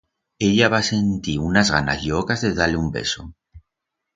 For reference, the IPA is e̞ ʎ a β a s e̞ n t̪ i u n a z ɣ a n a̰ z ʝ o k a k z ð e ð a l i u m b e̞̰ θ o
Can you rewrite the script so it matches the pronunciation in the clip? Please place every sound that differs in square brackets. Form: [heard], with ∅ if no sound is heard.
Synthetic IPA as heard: e̞ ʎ a β a s e̞ n t̪ i u n a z ɣ a n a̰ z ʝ o k a [∅] z ð e ð a l [e] u m b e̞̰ [s] o